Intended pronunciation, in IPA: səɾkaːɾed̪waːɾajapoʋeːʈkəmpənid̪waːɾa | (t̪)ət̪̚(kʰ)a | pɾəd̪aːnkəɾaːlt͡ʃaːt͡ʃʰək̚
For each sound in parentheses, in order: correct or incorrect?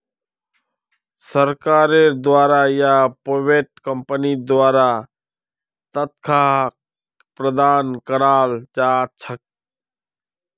correct, correct

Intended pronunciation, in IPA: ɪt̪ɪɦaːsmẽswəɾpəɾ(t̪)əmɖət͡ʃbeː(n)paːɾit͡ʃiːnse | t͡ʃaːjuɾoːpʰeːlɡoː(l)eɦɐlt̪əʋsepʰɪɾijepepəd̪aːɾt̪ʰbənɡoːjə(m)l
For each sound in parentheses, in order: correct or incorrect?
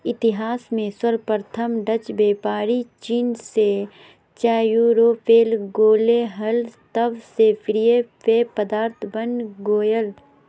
incorrect: t̪ʰ, incorrect: none, correct, incorrect: none

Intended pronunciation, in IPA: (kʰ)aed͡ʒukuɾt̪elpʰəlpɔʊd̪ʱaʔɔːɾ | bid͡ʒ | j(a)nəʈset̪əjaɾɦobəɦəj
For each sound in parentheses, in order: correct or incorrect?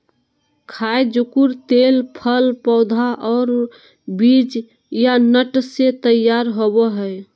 correct, correct

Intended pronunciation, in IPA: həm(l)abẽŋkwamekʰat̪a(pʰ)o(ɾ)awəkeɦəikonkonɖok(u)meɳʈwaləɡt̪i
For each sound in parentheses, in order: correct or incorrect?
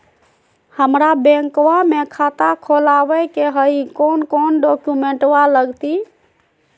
incorrect: ɾ, incorrect: kʰ, incorrect: l, correct

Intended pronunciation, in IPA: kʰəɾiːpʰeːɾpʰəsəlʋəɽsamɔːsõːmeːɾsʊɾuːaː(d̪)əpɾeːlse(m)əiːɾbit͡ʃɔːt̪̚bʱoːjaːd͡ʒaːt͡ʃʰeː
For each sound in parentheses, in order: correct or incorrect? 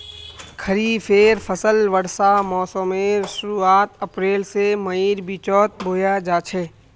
incorrect: t̪, correct

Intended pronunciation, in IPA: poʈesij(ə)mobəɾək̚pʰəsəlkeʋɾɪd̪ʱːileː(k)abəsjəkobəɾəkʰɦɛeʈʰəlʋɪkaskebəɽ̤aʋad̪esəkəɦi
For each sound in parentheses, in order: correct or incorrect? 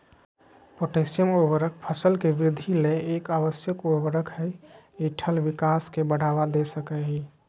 correct, correct

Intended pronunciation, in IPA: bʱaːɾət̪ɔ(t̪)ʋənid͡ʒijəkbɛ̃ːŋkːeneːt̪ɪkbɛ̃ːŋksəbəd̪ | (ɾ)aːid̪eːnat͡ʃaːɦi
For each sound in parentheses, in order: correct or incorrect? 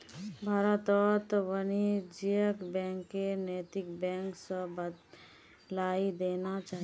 correct, incorrect: l

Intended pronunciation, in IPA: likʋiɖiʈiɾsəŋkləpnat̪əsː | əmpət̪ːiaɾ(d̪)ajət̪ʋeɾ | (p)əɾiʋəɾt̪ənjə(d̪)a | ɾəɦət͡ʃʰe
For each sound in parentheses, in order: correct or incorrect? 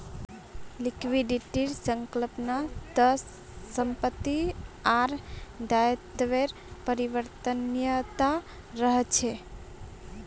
correct, correct, incorrect: t̪

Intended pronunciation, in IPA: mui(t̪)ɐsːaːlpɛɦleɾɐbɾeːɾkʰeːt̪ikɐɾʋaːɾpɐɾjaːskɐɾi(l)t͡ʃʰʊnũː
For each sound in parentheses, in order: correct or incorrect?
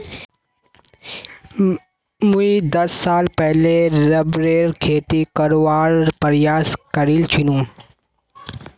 incorrect: d̪, correct

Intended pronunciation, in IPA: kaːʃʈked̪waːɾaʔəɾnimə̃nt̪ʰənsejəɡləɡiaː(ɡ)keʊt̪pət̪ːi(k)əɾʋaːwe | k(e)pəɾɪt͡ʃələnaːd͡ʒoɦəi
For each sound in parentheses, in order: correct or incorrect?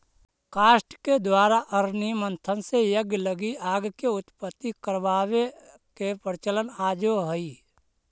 correct, correct, correct

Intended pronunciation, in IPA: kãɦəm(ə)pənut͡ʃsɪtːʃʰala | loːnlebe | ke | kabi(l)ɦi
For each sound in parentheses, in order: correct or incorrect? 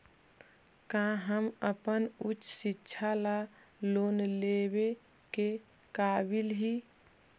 correct, correct

